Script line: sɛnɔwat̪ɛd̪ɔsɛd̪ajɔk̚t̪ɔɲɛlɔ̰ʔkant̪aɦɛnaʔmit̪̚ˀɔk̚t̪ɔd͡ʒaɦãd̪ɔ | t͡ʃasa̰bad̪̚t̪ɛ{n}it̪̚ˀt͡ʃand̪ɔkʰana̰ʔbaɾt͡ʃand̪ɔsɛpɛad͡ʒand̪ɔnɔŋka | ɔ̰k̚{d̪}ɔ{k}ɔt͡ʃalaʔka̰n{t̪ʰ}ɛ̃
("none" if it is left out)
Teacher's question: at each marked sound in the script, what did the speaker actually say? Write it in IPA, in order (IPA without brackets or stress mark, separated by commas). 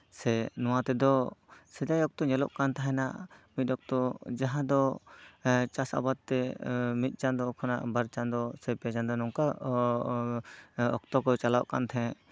m, t̪, k, t̪ʰ